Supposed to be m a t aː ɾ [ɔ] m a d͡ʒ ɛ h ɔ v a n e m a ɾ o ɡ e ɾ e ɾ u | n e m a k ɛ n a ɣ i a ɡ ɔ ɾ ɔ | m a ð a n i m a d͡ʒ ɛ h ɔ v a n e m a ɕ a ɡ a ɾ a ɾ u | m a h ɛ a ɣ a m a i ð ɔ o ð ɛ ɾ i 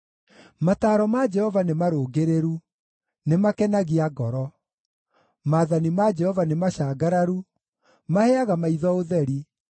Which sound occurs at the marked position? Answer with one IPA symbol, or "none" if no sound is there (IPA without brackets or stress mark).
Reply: ɔ